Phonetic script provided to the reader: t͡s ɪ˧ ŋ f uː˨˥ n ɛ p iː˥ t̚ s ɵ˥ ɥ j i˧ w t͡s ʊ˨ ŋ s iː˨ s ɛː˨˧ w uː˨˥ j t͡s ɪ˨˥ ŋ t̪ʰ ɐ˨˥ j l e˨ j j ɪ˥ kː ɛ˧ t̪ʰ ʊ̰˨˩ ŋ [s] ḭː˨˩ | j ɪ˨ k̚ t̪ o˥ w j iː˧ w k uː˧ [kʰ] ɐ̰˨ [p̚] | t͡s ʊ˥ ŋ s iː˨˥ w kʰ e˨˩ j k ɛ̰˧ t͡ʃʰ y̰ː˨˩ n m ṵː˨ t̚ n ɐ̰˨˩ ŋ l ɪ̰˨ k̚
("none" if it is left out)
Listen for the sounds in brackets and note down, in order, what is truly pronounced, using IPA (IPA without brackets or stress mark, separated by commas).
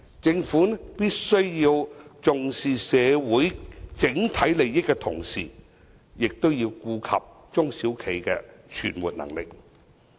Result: s, kʰ, p̚